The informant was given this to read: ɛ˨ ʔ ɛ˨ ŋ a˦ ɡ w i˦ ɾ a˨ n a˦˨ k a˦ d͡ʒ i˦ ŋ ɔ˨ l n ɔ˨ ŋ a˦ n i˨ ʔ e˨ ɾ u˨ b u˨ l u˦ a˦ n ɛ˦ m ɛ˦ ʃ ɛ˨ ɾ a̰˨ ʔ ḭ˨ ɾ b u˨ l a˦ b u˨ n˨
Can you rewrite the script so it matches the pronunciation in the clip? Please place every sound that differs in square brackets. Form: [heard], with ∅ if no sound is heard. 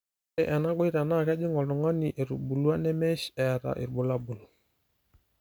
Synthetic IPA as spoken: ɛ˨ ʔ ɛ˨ [n] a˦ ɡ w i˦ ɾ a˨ n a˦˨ k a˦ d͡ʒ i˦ ŋ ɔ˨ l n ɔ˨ ŋ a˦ n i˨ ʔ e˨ ɾ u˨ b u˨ l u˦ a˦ n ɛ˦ m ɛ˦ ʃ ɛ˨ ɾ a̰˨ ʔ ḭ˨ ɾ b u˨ l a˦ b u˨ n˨